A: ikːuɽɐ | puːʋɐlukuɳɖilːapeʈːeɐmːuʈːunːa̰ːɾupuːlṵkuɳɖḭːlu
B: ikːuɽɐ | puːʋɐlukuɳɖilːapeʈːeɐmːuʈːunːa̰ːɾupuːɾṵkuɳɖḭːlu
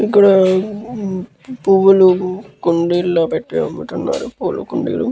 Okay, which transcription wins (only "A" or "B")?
A